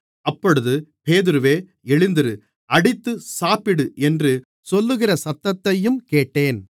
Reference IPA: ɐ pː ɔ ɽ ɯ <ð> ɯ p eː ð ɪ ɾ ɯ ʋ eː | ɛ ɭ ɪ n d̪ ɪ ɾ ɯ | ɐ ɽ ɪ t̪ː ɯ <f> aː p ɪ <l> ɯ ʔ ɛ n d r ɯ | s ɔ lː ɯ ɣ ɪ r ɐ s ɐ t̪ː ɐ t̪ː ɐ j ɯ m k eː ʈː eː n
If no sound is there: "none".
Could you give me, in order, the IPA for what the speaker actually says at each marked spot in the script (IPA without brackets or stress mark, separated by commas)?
ð, s, ɽ